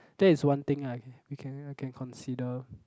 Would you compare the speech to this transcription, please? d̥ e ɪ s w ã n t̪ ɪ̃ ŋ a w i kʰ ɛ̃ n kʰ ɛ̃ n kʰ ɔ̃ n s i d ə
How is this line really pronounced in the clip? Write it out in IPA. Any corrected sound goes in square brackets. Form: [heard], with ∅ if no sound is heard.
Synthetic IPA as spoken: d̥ [ɛ] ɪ s w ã n t̪ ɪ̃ ŋ a w i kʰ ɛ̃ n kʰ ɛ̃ n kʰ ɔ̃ n s i d ə